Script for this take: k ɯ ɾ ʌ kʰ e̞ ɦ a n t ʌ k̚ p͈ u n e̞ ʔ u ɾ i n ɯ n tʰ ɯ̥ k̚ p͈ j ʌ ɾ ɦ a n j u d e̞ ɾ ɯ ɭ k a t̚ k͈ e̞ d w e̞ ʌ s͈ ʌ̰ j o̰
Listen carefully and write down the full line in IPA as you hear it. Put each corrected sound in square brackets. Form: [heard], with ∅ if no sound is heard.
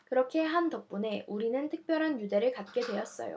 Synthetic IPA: k ɯ ɾ ʌ kʰ e̞ ɦ a n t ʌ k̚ p͈ u n e̞ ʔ u ɾ i n ɯ n tʰ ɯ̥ k̚ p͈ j ʌ ɾ ɦ a n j u d e̞ ɾ ɯ ɭ k a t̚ k͈ e̞ d w e̞ ʌ s͈ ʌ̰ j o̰